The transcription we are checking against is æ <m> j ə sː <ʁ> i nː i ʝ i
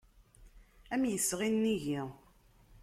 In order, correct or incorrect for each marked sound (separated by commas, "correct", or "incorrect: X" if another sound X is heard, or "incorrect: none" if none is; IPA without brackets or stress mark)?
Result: correct, correct